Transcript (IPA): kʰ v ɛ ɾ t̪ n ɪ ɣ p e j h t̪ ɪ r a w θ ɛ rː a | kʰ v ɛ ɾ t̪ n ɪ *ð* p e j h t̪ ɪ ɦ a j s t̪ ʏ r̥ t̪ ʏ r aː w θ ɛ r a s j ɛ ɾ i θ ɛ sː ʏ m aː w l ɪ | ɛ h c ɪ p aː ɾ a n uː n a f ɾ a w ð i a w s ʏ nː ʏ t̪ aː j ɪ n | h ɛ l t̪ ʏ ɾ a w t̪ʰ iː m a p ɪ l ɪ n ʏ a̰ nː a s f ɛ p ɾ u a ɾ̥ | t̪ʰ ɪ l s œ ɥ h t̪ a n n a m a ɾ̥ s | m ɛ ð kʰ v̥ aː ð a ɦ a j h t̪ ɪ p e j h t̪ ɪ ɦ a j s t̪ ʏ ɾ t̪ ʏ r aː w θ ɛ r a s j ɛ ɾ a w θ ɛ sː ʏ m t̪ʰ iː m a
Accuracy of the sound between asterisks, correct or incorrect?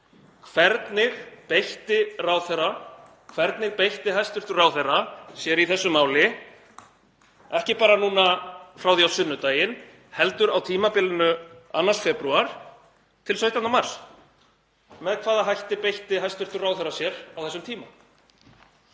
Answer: incorrect